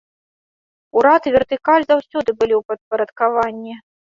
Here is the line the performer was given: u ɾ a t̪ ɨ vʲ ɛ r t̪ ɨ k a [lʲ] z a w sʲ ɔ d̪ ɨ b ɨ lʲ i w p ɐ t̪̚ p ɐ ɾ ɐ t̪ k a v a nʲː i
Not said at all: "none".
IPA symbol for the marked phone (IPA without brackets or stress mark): lʲ